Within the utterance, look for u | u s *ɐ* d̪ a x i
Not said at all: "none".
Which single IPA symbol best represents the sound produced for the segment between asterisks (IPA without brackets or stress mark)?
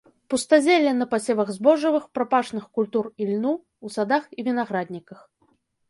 a